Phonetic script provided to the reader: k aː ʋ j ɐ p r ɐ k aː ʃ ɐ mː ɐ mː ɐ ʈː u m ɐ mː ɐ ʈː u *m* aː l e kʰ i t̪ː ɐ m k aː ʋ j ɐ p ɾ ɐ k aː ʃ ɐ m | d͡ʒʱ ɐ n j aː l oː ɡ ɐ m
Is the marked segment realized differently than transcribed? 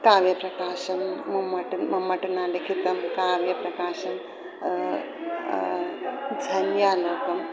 yes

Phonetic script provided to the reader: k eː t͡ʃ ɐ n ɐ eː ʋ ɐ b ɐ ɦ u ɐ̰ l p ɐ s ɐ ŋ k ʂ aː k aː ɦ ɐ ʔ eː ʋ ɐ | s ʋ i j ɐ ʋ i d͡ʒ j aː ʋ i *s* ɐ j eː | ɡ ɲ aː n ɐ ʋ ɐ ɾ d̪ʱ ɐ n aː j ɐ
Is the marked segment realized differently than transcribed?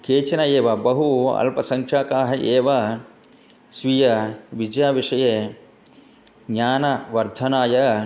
yes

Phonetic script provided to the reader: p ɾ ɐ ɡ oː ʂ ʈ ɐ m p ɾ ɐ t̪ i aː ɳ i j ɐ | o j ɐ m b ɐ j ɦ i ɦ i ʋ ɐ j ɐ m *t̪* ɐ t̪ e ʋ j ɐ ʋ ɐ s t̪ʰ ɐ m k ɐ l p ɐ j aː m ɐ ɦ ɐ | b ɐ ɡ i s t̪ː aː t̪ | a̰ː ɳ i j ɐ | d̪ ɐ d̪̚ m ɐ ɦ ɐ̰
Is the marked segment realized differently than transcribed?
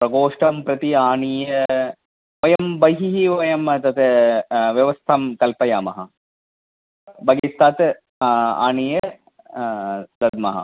no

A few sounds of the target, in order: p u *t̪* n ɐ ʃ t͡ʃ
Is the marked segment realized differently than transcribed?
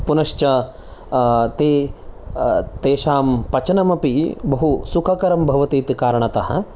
yes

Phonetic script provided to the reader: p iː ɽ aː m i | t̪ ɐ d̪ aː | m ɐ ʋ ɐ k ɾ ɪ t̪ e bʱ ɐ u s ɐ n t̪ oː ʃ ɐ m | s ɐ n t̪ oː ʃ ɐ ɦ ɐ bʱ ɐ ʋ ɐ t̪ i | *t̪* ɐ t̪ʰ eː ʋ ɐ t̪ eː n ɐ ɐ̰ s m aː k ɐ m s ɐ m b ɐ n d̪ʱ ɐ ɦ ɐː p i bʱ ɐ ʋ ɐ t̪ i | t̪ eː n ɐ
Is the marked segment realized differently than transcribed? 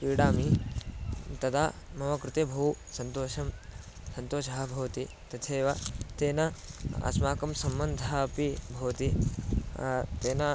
no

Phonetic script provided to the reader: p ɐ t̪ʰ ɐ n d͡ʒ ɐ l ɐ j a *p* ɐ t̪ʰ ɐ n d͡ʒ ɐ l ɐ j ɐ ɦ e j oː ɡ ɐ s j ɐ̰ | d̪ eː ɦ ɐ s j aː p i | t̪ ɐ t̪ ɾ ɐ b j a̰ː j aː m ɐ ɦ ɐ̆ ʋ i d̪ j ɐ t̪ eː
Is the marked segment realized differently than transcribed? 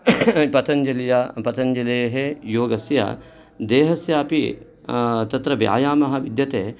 no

